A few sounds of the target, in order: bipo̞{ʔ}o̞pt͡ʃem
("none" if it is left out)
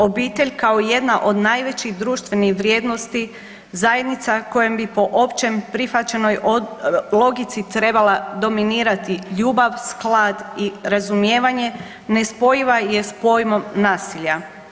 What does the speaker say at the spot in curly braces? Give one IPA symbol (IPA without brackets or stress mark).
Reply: ʔ